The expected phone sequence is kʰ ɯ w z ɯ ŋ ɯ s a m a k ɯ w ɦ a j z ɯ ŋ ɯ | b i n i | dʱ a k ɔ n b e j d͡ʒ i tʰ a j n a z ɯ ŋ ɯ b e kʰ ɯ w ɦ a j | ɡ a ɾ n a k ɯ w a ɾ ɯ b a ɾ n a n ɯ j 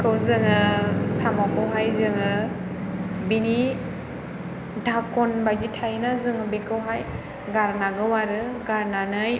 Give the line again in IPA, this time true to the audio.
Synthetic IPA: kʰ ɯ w z ɯ ŋ ɯ s a m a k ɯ w ɦ a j z ɯ ŋ ɯ | b i n i | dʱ a k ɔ n b a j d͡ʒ i tʰ a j n a z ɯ ŋ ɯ b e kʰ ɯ w ɦ a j | ɡ a ɾ n a ɡ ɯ w a ɾ ɯ ɡ a ɾ n a n ɯ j